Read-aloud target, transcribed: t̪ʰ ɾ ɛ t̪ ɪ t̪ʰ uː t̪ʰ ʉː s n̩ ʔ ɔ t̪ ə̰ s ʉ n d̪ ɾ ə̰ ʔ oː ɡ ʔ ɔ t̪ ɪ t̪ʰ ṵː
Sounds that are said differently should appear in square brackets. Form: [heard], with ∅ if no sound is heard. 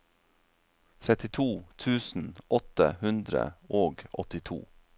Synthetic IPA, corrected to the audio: t̪ʰ ɾ ɛ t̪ ɪ t̪ʰ uː t̪ʰ ʉː s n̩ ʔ ɔ t̪ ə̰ [h] ʉ n d̪ ɾ ə̰ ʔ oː ɡ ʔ ɔ t̪ ɪ t̪ʰ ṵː